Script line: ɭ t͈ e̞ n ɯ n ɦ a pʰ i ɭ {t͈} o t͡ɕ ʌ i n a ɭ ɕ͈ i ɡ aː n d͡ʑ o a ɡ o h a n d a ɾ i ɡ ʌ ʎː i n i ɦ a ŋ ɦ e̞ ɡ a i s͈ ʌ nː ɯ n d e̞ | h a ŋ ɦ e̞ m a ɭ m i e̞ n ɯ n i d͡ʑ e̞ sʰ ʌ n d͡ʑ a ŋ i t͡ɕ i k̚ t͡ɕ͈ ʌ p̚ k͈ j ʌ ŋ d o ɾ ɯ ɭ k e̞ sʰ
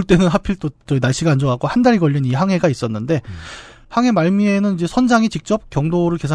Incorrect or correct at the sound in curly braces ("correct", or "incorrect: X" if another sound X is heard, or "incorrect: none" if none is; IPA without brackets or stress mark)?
correct